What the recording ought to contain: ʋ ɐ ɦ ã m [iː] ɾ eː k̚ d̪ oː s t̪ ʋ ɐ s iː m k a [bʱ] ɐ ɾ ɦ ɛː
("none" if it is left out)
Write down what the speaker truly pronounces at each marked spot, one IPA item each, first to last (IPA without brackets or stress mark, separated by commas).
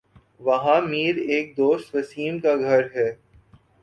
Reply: iː, ɡʱ